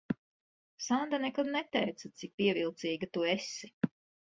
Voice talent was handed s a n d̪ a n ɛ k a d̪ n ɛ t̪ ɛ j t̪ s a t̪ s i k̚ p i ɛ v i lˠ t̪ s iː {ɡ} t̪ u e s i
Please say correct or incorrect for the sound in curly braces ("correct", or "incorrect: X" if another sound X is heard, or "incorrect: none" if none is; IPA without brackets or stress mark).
correct